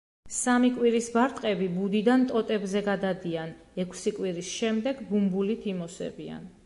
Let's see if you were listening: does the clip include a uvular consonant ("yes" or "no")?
yes